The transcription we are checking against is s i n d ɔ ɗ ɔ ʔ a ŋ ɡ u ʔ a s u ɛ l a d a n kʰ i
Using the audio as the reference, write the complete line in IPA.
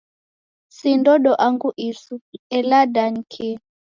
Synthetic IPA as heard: s i n d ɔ ɗ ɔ ʔ a ŋ ɡ u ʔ i s u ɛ l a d a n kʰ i